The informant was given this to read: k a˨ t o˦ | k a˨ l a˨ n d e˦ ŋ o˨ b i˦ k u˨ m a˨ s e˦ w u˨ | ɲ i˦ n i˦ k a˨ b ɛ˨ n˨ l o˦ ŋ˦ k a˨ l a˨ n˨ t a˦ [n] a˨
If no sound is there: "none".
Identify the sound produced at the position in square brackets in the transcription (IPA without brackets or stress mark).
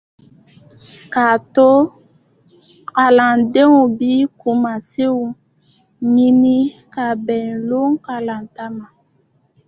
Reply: m